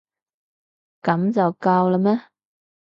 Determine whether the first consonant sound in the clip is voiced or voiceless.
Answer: voiceless